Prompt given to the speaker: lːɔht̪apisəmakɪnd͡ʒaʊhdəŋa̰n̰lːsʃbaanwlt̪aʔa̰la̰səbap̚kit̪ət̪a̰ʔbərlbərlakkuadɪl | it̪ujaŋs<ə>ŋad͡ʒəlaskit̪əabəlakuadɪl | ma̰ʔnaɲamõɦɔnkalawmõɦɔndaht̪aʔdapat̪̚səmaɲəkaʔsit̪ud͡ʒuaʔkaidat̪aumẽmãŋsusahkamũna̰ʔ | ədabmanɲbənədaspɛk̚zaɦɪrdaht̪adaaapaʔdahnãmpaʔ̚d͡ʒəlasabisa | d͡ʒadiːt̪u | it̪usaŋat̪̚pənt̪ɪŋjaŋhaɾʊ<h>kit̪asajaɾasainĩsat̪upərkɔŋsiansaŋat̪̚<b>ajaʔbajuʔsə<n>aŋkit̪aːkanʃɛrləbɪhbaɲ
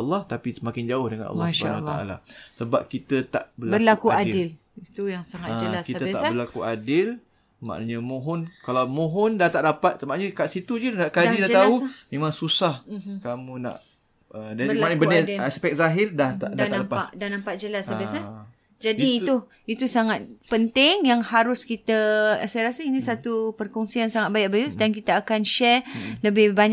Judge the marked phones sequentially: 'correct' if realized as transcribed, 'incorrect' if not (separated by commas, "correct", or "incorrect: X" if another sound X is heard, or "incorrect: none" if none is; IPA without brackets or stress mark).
incorrect: a, incorrect: s, correct, incorrect: d